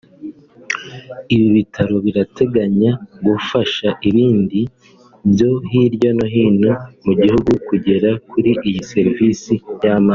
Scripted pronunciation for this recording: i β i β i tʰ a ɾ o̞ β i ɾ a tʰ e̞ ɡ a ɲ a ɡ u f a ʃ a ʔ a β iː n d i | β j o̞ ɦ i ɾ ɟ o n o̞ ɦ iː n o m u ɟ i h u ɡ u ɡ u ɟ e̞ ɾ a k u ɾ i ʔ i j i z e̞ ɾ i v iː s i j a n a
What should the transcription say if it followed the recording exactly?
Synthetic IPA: i β i β i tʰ a ɾ o̞ β i ɾ a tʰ e̞ ɡ a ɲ a ɡ u f a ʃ a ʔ i β iː n d i | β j o̞ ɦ i ɾ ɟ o n o̞ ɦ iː n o m u ɟ i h u ɡ u k u ɟ e̞ ɾ a k u ɾ i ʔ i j i s e̞ ɾ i v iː s i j a m a